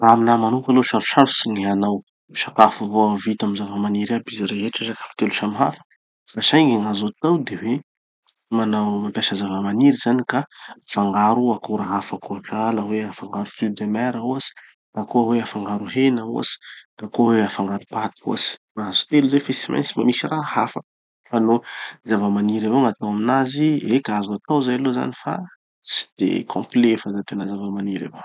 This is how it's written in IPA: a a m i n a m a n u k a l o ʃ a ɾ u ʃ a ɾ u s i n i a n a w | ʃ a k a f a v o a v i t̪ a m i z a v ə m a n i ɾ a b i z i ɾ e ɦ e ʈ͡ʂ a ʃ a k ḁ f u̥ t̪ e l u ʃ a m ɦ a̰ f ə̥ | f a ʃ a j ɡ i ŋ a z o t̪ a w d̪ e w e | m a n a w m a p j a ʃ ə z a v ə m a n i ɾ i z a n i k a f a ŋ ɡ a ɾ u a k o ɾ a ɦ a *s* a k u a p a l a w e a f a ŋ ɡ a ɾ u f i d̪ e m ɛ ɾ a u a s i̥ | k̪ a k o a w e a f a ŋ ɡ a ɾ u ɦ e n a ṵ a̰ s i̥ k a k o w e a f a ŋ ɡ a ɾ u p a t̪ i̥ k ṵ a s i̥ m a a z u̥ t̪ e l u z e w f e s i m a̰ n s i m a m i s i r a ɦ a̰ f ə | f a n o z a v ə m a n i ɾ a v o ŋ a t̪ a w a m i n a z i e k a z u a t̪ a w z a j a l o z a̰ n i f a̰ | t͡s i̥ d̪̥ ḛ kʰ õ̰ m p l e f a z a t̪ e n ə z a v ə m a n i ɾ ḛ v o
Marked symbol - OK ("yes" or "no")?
no